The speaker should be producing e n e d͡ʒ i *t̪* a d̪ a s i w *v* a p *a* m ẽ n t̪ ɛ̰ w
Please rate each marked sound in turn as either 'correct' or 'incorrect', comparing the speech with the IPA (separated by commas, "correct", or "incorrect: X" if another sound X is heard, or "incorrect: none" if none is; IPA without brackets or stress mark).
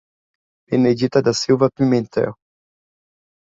correct, correct, incorrect: i